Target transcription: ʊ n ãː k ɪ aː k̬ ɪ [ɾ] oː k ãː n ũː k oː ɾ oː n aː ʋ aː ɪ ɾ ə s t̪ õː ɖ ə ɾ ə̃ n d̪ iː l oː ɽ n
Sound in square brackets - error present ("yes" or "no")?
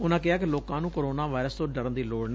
yes